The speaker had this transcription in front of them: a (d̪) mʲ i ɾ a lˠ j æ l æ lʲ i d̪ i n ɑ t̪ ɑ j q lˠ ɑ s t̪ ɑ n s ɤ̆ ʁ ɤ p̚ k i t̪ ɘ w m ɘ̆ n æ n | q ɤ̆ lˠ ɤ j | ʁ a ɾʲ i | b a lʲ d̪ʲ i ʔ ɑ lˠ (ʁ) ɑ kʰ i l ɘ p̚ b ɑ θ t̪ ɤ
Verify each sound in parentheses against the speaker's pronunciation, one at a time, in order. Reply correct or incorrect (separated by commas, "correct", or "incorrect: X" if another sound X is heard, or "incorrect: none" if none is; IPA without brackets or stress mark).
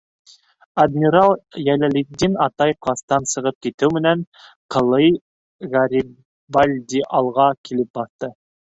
correct, correct